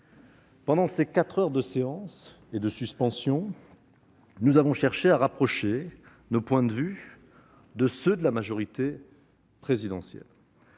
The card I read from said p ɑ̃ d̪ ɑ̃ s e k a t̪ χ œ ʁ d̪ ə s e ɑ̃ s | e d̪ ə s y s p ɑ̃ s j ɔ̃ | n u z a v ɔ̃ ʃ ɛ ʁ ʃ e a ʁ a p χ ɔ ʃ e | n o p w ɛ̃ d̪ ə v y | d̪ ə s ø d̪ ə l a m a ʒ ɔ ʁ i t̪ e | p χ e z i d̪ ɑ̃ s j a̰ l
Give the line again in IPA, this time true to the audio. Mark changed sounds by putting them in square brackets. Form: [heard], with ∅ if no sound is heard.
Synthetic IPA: p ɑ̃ d̪ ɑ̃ s e k a t̪ χ œ ʁ d̪ ə s e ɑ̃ s | e d̪ ə s y s p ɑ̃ s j ɔ̃ | n u z a v ɔ̃ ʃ ɛ ʁ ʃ e a ʁ a p χ ɔ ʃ e | n o p w ɛ̃ d̪ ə v y | d̪ ə s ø d̪ ə l a m a ʒ ɔ ʁ i t̪ e | p χ e z i d̪ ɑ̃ s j [ɛ̰] l